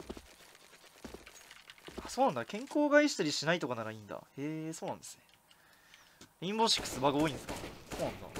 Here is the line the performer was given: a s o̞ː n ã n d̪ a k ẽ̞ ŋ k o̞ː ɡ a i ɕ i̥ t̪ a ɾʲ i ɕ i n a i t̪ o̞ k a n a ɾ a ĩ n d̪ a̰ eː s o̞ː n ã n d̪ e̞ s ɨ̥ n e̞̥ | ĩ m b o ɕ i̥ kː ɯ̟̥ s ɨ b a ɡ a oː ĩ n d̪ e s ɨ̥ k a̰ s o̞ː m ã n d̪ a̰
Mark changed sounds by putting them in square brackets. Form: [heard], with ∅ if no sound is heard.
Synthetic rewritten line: a s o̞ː n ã n d̪ a k ẽ̞ ŋ k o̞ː ɡ a i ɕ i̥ t̪ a ɾʲ i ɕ i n a i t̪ o̞ k a n a ɾ a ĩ n d̪ a̰ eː s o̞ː n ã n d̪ e̞ s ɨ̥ n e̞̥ | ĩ m b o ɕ i̥ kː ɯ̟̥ s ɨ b a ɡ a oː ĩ n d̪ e s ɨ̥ k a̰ s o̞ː [n] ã n d̪ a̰